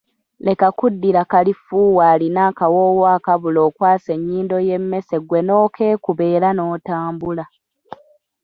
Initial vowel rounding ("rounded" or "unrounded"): unrounded